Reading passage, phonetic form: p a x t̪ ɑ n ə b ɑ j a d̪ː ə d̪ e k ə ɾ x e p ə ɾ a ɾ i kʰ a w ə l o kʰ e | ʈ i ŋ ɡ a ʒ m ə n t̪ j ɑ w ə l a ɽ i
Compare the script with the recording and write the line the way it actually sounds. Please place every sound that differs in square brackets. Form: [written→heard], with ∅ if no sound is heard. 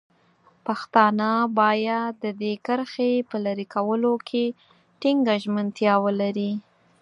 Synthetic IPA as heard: p a x t̪ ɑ n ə b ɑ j a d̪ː ə d̪ e k ə ɾ x e p ə [ɾ→l] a ɾ i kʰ a w ə l o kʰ e | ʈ i ŋ ɡ a ʒ m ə n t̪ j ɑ w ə l a [ɽ→ɾ] i